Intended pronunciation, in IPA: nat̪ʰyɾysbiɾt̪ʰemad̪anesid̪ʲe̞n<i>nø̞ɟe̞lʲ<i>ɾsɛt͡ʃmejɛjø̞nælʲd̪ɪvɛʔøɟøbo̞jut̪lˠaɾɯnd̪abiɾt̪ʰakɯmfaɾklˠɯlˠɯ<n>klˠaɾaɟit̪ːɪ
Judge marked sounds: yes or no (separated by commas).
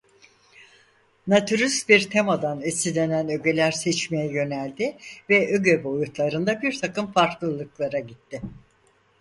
no, no, no